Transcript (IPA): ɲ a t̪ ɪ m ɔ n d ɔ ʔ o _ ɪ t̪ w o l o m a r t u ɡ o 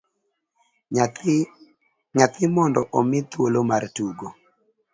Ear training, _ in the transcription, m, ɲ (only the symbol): m